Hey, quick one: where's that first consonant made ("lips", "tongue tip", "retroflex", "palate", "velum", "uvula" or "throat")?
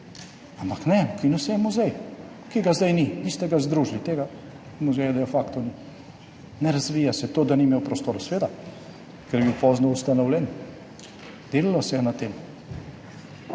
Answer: lips